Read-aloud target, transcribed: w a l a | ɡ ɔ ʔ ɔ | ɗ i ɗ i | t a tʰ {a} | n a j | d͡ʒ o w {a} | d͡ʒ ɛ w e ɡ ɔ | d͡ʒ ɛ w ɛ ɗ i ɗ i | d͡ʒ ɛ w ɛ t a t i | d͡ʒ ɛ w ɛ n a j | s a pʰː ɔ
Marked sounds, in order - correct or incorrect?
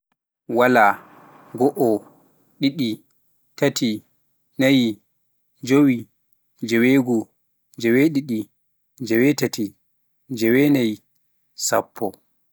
incorrect, incorrect

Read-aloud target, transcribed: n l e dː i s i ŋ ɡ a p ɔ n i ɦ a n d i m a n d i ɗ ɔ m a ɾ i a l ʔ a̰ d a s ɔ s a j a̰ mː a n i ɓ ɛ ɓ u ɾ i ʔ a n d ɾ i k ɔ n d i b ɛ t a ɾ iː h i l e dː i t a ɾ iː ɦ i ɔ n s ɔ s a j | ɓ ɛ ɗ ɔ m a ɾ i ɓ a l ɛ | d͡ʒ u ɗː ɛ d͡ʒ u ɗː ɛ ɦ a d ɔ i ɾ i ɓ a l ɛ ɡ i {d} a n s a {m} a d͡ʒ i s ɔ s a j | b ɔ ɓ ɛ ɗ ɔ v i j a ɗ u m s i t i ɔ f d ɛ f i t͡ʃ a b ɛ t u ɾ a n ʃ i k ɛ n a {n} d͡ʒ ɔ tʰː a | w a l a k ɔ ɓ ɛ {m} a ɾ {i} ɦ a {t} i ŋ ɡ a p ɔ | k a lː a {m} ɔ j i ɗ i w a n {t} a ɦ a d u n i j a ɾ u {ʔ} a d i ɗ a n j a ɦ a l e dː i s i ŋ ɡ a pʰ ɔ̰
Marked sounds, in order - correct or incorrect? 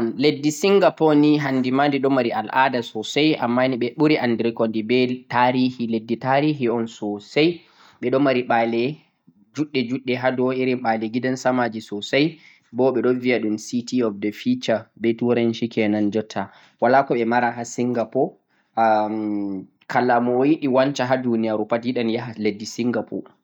correct, correct, correct, correct, incorrect, incorrect, correct, incorrect, incorrect

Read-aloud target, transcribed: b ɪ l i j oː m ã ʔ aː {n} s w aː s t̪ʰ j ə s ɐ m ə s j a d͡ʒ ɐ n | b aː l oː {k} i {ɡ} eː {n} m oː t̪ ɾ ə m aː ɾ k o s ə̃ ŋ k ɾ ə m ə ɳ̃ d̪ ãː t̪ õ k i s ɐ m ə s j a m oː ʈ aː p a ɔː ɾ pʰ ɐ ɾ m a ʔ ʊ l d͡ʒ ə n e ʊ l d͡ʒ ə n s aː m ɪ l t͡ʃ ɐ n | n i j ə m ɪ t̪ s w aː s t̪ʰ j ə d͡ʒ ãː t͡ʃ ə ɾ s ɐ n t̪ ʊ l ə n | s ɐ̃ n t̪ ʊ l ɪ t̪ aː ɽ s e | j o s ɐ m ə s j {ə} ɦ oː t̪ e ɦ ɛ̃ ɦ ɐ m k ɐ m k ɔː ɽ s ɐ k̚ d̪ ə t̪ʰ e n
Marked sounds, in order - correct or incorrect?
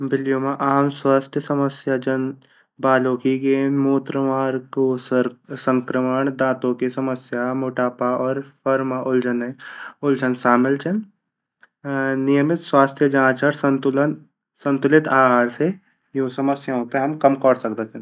incorrect, correct, correct, correct, incorrect

